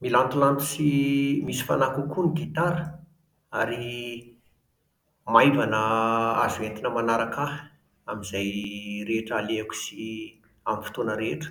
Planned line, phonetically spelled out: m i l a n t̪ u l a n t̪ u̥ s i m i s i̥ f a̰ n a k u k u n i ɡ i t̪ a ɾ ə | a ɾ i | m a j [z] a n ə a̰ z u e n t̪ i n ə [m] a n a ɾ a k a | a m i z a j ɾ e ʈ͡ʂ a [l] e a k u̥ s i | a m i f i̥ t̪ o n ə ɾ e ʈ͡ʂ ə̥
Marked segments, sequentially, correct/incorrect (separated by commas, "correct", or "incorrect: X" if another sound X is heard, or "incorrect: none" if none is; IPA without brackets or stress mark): incorrect: v, correct, correct